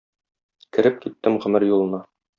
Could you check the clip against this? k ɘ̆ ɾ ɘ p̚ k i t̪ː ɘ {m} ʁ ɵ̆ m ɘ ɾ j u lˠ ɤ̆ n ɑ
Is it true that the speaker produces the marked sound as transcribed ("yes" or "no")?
yes